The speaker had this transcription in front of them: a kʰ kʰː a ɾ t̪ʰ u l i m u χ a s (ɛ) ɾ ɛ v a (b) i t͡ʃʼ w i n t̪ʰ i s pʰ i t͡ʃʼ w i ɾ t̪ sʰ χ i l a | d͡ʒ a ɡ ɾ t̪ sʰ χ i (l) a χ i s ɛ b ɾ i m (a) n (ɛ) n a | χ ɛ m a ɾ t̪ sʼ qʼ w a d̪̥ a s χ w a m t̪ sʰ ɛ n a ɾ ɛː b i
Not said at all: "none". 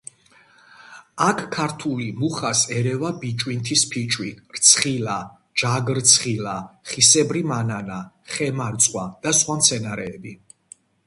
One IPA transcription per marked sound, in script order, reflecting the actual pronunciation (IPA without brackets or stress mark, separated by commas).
ɛ, b, l, a, a